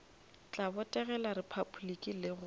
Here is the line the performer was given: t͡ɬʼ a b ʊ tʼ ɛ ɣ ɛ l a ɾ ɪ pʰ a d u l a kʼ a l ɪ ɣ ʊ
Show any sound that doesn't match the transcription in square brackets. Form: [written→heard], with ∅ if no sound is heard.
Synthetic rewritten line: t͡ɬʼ a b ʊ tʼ ɛ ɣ ɛ l a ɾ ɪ pʰ a [d→b] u l [a→i] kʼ [a→i] l ɪ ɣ ʊ

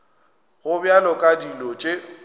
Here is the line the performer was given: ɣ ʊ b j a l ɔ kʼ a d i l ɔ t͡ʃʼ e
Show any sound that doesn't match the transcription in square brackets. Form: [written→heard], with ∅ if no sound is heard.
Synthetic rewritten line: ɣ ʊ b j a l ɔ kʼ a d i l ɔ t͡ʃʼ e

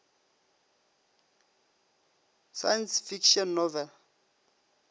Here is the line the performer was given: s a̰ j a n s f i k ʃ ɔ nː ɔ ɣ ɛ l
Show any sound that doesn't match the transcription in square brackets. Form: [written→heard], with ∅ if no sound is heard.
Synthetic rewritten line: s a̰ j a n s f i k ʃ ɔ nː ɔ [ɣ→v] ɛ l

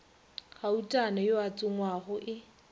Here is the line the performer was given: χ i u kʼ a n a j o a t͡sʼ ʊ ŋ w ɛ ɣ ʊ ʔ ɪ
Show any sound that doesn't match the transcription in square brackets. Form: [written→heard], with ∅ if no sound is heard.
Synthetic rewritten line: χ [i→a] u [kʼ→tʼ] a n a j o a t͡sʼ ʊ ŋ w [ɛ→a] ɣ ʊ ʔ ɪ

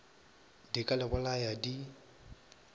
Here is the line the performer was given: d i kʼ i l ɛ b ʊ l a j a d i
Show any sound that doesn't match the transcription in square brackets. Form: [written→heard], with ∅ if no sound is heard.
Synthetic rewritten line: d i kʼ [i→a] l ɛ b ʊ l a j a d i

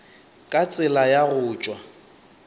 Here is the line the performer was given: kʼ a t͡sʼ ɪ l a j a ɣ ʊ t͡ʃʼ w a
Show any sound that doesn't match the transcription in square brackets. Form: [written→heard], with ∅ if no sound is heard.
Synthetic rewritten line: kʼ a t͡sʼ ɪ l a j a ɣ [ʊ→ʊː] t͡ʃʼ w a

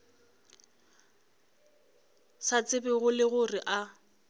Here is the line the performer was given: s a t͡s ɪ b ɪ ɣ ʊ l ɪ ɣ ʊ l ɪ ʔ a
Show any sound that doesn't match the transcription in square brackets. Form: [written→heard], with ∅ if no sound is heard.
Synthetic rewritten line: s a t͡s ɪ b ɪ ɣ ʊ l ɪ ɣ ʊ [l→r] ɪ ʔ a

